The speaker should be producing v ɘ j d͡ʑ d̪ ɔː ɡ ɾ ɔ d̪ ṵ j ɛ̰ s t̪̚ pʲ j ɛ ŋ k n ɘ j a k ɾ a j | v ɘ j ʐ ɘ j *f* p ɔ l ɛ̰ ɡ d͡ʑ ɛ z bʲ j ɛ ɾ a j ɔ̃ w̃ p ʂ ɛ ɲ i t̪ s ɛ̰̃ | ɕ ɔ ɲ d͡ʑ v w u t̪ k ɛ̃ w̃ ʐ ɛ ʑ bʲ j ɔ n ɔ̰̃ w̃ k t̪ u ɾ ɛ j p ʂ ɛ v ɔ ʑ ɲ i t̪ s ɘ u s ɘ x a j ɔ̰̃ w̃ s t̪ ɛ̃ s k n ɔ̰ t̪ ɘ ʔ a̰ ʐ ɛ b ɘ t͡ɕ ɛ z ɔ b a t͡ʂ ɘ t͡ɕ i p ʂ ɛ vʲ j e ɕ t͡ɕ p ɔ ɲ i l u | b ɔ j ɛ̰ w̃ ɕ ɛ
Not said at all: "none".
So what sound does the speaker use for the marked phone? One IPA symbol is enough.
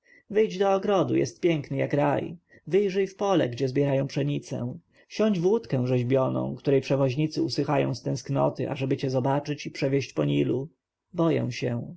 f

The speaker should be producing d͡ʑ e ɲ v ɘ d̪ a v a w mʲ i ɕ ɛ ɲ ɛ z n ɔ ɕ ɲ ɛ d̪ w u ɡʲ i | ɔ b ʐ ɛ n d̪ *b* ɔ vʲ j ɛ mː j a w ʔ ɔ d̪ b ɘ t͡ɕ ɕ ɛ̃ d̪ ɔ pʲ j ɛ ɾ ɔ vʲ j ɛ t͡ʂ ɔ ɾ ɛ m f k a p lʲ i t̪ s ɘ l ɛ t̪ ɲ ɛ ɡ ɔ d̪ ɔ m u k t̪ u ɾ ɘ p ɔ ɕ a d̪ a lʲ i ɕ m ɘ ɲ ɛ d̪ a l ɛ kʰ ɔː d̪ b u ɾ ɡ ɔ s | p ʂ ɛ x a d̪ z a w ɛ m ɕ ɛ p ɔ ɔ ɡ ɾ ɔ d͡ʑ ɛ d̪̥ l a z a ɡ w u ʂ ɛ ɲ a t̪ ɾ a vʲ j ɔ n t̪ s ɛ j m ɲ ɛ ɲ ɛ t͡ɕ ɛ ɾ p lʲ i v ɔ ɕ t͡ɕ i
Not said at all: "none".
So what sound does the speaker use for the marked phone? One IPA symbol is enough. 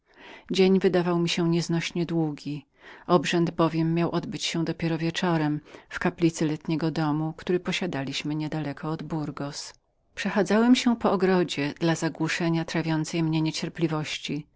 b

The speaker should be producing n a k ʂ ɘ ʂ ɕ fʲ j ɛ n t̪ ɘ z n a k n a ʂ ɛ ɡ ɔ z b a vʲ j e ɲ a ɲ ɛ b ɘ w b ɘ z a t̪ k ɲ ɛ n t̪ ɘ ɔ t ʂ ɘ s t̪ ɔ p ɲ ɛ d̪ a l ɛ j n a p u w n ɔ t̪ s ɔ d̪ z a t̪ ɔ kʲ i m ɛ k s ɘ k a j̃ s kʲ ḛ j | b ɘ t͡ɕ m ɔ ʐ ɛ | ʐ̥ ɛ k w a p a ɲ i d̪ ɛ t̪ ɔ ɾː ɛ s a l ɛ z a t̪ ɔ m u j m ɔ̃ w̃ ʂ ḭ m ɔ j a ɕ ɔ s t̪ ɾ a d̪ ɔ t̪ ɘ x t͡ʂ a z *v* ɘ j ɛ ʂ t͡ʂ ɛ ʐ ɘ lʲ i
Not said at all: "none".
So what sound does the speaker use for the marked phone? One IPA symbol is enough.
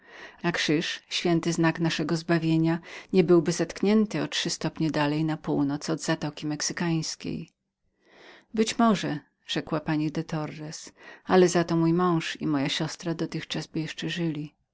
b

